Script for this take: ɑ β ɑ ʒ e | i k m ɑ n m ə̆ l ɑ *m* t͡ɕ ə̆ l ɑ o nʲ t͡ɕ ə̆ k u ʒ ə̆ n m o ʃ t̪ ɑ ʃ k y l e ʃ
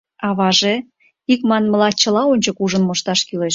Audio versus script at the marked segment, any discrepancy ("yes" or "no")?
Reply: yes